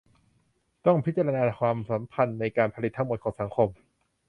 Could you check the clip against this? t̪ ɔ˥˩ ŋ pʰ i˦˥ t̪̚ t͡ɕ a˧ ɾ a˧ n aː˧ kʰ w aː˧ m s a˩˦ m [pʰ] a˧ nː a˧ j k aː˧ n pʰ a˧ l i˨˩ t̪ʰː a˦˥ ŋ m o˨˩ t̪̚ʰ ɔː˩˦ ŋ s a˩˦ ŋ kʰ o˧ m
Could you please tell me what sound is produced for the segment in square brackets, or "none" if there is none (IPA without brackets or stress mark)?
pʰ